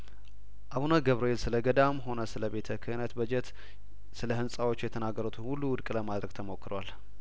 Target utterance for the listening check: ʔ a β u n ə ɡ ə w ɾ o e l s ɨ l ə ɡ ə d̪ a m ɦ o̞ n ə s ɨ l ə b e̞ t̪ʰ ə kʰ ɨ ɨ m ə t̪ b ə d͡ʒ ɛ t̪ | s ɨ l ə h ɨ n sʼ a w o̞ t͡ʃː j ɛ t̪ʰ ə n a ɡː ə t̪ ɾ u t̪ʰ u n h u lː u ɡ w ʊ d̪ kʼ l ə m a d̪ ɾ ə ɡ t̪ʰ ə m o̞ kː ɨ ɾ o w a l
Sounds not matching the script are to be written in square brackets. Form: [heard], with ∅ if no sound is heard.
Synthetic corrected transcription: ʔ a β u n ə ɡ ə [β] ɾ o e l s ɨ l ə ɡ ə d̪ a m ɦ o̞ n ə s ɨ l ə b e̞ t̪ʰ ə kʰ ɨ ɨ [n] ə t̪ b ə d͡ʒ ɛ t̪ | s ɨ l ə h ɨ n sʼ a w o̞ t͡ʃː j ɛ t̪ʰ ə n a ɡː ə [∅] ɾ u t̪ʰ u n h u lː u [∅] w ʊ d̪ kʼ l ə m a d̪ ɾ ə ɡ t̪ʰ ə m o̞ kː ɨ ɾ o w a l